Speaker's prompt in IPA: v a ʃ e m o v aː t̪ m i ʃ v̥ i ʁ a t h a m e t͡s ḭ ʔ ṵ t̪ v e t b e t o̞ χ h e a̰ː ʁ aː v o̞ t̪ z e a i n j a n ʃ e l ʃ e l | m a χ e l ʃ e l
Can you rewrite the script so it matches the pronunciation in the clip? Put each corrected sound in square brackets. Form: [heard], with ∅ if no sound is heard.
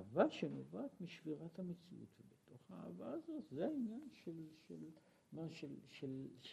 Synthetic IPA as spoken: v a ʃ e [n] o v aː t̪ m i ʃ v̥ i ʁ a t h a m e t͡s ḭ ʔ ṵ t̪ v e [∅] b e t o̞ χ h [a] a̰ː [v] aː [z] o̞ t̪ z e a i n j a n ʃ e l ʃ e l | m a [ʃ] e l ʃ e l